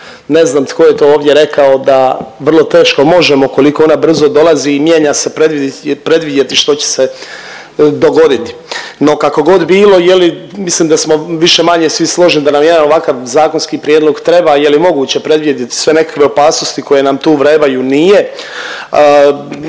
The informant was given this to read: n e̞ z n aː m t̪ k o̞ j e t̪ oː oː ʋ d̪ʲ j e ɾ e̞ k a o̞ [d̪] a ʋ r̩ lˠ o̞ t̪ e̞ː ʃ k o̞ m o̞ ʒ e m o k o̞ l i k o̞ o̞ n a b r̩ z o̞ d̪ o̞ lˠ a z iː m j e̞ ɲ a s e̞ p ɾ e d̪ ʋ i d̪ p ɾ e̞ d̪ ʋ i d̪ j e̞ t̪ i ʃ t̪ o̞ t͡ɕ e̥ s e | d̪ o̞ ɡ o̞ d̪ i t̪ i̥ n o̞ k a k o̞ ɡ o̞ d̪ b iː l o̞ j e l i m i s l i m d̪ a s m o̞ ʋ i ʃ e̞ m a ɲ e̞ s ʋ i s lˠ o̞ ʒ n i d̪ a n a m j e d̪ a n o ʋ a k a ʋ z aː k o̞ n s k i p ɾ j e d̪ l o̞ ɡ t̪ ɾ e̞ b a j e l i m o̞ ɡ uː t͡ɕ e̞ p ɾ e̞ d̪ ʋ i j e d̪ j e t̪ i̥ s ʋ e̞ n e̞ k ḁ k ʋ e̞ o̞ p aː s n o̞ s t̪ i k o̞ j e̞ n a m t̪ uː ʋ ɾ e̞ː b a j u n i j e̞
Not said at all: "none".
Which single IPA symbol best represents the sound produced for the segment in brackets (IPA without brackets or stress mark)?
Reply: d̪